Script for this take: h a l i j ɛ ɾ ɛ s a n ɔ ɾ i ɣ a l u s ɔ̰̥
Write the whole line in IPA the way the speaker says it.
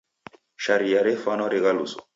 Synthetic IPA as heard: ʃ a ɾ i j a ɾ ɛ f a n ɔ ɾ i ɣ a l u s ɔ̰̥